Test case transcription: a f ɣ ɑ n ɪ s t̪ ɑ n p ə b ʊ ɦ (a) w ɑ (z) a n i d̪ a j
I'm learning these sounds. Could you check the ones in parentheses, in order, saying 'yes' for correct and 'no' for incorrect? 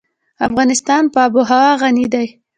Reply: yes, no

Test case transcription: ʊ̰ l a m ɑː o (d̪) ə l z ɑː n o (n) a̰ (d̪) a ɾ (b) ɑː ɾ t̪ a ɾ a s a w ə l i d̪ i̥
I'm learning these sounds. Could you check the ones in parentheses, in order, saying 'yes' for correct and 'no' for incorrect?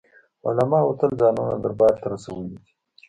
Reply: no, yes, yes, yes

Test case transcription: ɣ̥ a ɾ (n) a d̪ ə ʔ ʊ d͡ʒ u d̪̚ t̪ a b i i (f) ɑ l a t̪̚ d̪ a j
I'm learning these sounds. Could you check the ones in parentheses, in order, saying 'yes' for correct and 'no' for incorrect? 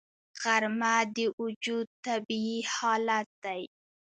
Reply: no, no

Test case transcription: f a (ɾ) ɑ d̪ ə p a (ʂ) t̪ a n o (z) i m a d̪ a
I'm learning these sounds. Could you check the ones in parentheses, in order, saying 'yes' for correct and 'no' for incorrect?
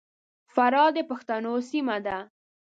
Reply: yes, no, no

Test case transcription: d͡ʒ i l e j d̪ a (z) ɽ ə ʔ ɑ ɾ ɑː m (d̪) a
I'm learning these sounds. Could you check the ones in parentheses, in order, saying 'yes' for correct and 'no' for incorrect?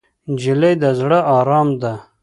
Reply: yes, yes

